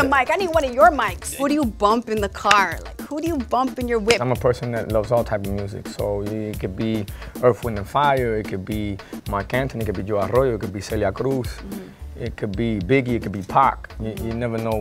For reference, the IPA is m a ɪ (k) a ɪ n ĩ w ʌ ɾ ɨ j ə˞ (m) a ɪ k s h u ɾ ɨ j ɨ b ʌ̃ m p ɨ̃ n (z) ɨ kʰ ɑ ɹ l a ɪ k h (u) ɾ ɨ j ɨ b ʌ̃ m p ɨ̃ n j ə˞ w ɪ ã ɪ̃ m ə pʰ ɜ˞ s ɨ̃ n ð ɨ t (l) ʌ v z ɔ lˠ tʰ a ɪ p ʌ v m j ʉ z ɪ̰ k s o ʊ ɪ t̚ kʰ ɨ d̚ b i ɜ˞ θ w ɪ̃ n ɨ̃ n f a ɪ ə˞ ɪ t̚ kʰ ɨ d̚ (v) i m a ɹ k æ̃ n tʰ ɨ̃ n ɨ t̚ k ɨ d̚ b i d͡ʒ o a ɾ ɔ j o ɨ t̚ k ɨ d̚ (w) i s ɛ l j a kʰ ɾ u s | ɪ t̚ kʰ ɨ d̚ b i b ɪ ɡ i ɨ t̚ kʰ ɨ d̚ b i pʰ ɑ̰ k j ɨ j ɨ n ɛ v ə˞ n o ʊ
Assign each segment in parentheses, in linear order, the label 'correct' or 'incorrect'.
correct, correct, incorrect: ð, correct, correct, incorrect: b, incorrect: b

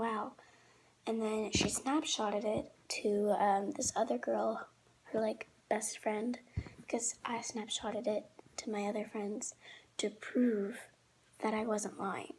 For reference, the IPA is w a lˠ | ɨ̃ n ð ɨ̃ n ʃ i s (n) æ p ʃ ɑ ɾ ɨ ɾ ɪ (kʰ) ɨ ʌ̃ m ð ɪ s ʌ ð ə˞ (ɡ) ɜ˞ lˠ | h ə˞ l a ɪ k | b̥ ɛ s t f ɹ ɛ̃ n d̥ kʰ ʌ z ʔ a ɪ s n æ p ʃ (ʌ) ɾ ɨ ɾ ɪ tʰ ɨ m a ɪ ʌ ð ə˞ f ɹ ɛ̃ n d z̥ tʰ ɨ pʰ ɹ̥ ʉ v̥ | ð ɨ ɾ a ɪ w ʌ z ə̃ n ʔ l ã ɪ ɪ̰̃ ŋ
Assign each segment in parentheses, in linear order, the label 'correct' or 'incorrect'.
correct, incorrect: tʰ, correct, incorrect: ɑ

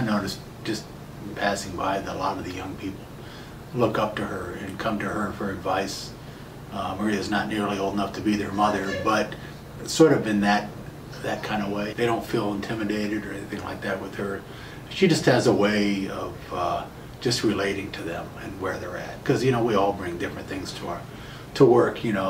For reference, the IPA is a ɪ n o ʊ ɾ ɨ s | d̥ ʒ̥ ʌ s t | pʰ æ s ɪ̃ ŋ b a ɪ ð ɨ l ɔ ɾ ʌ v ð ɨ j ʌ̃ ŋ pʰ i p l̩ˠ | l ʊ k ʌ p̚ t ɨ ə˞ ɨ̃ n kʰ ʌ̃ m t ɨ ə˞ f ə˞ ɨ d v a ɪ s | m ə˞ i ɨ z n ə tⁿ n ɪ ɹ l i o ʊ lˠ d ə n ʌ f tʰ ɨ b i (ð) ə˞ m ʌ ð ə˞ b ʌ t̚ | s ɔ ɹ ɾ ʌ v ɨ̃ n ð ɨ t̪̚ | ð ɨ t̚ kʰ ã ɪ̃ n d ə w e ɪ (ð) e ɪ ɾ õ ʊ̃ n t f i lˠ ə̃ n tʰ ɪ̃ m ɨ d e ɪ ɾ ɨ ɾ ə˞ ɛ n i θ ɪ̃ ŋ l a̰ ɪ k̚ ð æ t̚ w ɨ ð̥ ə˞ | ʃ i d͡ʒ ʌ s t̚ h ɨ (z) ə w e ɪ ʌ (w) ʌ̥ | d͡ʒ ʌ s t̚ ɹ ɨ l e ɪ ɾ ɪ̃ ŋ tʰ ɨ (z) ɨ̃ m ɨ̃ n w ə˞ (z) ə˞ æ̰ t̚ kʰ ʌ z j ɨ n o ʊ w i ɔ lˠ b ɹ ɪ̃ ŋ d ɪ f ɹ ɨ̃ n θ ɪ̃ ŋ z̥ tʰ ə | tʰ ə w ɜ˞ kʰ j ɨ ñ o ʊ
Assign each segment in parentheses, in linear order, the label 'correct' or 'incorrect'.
correct, correct, correct, incorrect: v, incorrect: ð, incorrect: ð

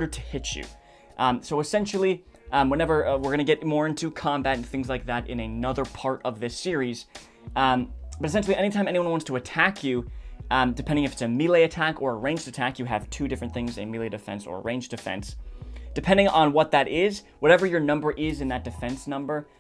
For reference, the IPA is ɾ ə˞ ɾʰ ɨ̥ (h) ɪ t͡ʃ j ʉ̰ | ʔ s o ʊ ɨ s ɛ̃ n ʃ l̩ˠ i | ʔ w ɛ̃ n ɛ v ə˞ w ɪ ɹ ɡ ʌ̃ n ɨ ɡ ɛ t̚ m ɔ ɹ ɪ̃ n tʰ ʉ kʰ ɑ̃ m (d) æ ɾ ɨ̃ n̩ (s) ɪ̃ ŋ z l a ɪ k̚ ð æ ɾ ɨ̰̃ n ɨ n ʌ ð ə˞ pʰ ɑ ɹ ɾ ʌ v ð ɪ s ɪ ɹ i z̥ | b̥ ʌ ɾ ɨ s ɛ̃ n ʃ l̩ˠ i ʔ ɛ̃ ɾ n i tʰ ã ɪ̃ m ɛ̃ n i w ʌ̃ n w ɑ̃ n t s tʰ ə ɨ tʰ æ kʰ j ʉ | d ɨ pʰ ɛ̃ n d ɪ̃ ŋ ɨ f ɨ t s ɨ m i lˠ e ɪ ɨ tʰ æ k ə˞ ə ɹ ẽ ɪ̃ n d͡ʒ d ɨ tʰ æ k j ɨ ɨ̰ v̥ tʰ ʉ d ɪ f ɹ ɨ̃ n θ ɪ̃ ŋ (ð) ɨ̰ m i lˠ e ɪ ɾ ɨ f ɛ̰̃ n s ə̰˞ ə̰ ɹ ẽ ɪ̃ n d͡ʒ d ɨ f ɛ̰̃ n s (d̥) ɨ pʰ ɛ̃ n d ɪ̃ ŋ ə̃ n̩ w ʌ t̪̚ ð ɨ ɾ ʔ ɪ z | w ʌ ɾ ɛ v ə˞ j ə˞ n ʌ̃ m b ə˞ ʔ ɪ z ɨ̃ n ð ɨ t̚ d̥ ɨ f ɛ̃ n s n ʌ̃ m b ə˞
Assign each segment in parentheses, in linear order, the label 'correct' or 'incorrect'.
correct, incorrect: b, incorrect: θ, incorrect: z, correct

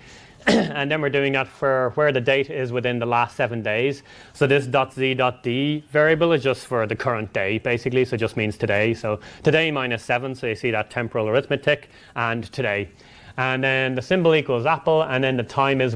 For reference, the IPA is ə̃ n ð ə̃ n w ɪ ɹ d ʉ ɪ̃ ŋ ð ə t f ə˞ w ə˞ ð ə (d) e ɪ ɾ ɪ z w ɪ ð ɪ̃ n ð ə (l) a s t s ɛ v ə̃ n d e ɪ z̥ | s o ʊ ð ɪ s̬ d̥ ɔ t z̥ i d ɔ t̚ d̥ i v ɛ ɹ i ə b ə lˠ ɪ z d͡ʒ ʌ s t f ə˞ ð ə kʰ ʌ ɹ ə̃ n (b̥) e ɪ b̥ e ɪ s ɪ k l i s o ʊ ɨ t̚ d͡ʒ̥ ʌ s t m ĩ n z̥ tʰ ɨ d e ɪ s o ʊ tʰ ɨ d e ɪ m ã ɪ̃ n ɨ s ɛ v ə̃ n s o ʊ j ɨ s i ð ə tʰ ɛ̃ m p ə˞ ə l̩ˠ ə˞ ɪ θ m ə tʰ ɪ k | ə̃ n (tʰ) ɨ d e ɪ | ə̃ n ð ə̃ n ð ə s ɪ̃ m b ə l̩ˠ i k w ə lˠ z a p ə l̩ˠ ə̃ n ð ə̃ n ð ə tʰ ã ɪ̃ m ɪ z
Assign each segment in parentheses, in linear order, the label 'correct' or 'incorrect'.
correct, correct, incorrect: d̥, correct

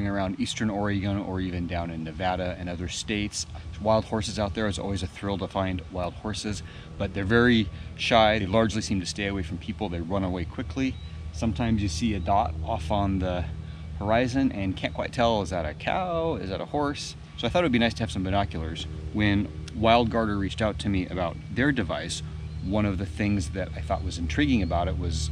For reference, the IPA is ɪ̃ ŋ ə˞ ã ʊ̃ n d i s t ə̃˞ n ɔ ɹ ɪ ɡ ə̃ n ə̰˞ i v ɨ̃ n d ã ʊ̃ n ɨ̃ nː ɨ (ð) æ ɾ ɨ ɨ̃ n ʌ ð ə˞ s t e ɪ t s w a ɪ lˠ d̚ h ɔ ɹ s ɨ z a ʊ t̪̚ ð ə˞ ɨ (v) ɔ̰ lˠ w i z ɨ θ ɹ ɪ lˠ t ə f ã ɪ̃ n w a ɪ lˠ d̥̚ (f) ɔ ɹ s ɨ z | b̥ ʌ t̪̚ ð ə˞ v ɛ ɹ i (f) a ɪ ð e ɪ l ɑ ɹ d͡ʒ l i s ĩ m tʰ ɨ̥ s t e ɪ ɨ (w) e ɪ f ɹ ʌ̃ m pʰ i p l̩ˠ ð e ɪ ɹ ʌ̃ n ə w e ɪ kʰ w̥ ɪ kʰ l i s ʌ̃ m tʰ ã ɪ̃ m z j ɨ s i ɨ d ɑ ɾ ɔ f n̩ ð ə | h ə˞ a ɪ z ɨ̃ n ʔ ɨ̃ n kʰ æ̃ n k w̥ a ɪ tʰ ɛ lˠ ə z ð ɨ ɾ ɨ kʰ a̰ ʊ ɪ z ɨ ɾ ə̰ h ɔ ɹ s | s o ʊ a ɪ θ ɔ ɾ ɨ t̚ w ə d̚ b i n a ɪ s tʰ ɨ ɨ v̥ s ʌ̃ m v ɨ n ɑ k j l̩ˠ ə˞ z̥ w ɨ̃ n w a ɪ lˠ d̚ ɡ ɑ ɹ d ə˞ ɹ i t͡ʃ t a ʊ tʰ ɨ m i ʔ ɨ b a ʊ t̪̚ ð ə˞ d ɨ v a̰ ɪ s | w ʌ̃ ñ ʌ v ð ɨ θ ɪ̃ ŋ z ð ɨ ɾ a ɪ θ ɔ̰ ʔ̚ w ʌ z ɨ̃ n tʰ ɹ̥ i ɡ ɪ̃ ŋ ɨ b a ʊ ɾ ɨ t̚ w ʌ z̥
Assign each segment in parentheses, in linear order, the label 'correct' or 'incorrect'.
incorrect: v, incorrect: z, incorrect: h, incorrect: ʃ, correct

